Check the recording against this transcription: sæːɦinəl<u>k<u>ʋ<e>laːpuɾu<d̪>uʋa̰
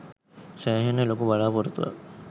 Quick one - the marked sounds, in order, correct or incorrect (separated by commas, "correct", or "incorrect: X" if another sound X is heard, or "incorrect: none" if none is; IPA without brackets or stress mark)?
incorrect: o, correct, incorrect: a, incorrect: t̪